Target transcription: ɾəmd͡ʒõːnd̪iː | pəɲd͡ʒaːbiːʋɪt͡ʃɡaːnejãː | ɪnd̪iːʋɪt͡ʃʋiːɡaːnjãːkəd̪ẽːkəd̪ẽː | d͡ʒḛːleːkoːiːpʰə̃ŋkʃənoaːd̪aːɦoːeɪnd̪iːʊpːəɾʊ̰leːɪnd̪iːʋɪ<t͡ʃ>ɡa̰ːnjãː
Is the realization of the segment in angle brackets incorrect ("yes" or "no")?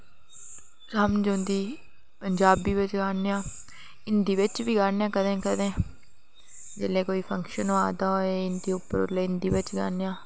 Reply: no